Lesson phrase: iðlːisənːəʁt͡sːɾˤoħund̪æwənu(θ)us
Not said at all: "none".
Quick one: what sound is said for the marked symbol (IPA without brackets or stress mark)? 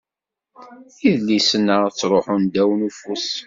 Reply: f